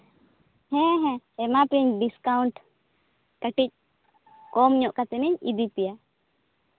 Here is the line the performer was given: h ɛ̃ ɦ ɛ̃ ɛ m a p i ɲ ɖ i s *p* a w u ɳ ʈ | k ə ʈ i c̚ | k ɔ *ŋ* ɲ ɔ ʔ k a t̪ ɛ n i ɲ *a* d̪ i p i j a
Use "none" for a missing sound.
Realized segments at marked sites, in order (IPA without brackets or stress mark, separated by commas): k, m, i